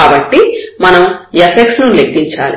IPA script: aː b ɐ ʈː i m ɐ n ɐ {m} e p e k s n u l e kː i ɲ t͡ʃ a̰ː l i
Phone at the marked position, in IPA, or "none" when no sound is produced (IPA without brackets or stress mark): m